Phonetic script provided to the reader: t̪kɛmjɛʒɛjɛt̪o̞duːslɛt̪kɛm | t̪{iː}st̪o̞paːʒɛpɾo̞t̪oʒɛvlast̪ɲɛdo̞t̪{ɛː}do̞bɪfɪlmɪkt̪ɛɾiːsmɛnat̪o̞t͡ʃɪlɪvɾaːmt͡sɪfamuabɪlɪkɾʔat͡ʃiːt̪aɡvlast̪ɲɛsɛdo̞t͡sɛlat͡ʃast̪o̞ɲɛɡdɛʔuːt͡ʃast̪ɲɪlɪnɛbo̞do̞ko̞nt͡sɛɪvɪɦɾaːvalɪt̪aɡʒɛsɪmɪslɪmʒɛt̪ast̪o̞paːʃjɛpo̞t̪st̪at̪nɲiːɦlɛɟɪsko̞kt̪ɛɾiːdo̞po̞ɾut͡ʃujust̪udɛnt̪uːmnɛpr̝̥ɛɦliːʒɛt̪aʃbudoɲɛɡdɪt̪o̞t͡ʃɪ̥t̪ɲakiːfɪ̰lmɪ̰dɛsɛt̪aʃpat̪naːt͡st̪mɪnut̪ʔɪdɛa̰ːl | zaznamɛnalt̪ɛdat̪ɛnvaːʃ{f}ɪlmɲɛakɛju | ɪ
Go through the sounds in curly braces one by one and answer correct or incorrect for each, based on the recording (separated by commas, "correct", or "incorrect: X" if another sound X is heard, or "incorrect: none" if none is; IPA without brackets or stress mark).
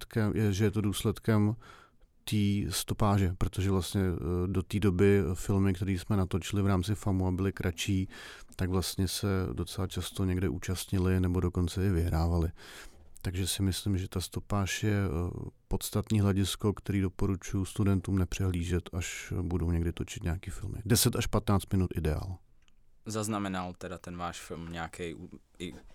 correct, incorrect: iː, correct